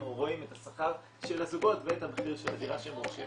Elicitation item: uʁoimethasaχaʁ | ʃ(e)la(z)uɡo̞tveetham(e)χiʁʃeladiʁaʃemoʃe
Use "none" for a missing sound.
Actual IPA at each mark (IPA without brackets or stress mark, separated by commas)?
e, z, e